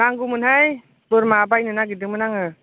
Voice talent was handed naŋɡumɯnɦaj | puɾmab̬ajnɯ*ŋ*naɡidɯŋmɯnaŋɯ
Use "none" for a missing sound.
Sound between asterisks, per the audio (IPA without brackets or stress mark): none